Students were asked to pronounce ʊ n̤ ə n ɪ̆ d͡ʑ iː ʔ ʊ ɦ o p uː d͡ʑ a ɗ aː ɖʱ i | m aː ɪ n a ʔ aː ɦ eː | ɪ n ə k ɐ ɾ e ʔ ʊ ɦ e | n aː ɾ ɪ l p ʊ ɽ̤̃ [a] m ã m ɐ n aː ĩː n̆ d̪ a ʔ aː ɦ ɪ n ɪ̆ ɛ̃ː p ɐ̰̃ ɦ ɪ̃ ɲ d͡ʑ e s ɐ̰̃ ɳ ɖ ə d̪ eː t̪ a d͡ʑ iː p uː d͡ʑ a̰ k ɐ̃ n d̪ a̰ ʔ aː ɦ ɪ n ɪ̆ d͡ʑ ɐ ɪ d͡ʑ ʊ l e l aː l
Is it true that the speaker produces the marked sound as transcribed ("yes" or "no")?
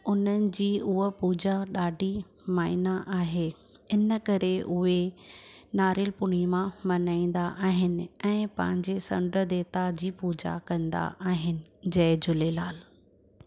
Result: no